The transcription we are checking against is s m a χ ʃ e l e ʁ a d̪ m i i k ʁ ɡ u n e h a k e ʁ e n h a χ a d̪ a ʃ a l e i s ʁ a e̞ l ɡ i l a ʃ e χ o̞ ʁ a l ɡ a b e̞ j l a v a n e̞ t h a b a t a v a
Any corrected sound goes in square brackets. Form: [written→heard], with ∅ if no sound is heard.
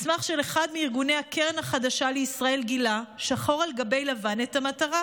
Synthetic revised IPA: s m a χ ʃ e l e [ʁ→χ] a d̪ m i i [k→∅] ʁ ɡ u n e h a k e ʁ e n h a χ a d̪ a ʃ a l e i s ʁ a e̞ l ɡ i l a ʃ [e→a] χ o̞ ʁ a l ɡ a b e̞ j l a v a n e̞ t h a [b→m] a t a [v→ʁ] a